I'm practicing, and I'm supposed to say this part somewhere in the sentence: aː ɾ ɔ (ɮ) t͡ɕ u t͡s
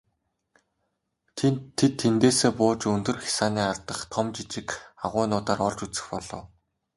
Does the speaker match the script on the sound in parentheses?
yes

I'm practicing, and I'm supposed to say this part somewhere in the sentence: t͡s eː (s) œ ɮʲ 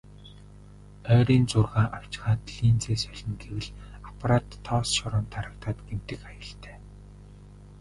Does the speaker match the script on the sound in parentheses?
yes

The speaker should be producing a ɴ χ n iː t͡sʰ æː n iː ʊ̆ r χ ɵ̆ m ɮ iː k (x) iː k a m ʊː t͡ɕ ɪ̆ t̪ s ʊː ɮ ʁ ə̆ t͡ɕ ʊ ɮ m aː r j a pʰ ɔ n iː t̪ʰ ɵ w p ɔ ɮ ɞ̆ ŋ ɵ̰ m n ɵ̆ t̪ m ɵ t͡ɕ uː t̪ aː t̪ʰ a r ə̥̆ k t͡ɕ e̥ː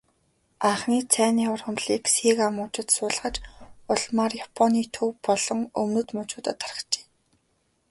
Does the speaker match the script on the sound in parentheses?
no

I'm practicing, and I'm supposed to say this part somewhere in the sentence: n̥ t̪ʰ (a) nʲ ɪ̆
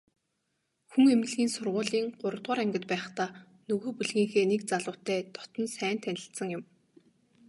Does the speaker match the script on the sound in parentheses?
no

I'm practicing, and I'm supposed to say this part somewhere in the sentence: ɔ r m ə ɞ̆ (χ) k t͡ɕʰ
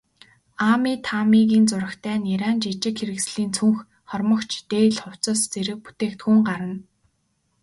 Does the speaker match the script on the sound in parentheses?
no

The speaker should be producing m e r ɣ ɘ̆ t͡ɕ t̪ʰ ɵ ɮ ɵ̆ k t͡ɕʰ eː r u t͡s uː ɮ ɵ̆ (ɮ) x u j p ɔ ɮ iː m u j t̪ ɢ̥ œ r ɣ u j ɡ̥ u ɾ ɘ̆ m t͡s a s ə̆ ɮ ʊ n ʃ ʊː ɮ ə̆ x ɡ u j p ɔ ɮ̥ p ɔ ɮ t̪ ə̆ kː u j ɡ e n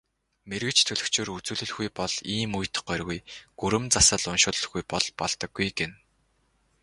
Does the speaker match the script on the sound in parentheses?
yes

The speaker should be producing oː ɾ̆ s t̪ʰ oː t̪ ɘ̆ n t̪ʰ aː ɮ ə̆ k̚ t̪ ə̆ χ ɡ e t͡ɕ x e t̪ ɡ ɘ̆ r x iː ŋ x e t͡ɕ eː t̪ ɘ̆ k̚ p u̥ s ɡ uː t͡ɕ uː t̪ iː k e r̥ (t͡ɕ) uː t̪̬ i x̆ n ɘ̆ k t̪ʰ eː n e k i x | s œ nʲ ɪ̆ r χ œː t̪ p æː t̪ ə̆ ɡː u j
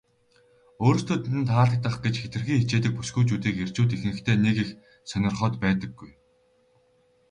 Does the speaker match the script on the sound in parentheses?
yes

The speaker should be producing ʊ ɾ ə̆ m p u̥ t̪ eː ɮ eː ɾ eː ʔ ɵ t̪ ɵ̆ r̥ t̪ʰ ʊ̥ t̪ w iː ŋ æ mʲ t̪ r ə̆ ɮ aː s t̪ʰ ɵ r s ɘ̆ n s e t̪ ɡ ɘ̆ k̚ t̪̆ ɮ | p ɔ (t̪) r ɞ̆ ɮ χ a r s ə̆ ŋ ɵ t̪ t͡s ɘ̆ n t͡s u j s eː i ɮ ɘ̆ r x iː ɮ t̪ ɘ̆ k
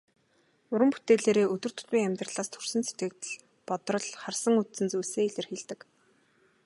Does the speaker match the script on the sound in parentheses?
yes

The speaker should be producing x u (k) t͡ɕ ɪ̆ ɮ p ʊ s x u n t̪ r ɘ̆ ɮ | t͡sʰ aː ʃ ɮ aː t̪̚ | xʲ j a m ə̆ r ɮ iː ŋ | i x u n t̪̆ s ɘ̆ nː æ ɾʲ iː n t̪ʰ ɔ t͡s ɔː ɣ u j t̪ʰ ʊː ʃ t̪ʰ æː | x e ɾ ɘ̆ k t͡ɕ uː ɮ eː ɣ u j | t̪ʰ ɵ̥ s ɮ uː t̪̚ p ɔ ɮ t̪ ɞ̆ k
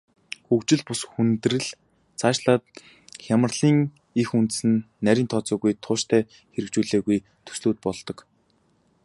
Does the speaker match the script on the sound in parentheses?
yes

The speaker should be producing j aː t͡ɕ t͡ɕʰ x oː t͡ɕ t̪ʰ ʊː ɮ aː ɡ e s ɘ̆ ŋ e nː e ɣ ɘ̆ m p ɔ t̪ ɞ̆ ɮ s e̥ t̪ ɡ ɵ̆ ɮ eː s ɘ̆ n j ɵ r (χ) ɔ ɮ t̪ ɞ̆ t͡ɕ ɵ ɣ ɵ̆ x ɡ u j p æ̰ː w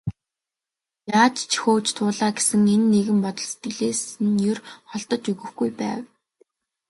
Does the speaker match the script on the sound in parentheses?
yes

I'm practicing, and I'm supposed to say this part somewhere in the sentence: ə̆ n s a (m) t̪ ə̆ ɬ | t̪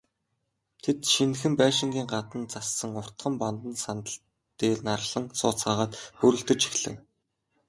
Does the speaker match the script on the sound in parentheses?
no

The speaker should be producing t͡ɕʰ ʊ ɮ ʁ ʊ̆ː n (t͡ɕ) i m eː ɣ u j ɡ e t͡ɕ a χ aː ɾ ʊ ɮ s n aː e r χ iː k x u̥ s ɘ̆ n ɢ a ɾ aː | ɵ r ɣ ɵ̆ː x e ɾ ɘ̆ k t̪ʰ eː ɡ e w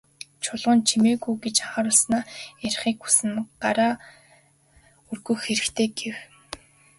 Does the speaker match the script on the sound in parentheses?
no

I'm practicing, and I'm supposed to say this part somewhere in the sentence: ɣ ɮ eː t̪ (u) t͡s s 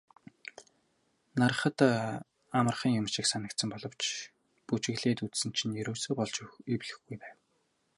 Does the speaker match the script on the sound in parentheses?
yes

